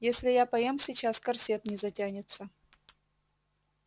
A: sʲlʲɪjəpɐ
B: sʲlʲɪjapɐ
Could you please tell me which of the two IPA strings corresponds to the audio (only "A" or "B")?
B